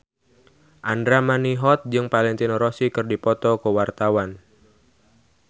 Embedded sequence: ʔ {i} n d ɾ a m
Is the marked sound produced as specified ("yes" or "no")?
no